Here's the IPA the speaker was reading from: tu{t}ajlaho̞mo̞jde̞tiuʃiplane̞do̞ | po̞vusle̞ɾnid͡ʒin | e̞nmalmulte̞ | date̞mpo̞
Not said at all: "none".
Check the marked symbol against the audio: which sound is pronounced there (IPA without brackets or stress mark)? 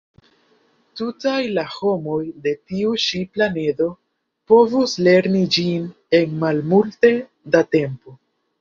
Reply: t